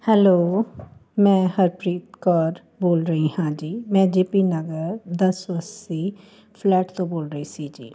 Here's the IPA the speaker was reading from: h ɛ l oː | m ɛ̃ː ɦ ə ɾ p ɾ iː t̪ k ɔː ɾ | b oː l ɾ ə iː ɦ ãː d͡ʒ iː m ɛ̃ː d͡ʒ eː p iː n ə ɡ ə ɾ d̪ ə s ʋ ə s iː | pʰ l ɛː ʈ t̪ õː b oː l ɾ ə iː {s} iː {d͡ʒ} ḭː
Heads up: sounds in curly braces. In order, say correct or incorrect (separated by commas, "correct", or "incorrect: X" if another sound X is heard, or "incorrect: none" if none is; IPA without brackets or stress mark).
correct, correct